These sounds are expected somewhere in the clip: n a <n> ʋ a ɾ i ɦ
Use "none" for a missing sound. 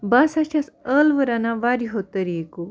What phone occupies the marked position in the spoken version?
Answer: none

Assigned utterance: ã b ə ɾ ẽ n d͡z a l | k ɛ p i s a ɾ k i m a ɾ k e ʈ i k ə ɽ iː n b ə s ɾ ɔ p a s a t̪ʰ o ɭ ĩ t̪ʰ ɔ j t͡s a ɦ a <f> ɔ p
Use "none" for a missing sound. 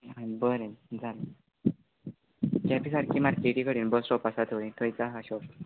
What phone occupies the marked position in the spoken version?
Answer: ɕ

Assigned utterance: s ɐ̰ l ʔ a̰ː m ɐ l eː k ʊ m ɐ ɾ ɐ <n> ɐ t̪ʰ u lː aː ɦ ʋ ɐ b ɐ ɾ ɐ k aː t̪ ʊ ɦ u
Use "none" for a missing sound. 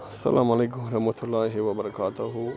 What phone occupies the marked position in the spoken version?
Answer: m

